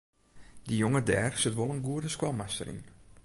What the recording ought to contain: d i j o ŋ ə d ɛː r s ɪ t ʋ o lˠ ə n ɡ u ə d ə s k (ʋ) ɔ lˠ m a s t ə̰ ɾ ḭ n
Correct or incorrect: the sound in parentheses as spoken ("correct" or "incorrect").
incorrect